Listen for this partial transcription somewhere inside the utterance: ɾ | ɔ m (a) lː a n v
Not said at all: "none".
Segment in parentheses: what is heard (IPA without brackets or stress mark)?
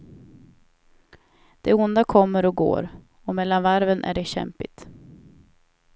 ɛ